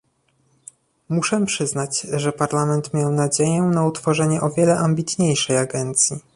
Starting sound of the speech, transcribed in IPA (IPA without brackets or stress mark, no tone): m